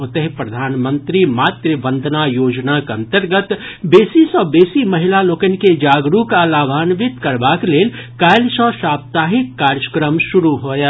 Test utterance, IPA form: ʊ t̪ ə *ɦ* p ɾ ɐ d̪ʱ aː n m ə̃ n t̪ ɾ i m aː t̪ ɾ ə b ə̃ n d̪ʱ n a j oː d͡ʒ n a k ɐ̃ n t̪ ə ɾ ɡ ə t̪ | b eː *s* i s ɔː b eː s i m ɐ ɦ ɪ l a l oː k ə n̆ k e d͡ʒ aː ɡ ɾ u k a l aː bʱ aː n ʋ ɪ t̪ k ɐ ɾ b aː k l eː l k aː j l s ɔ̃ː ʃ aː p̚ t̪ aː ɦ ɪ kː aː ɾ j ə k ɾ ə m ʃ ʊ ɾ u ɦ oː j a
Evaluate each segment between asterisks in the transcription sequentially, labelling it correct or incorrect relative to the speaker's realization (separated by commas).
correct, correct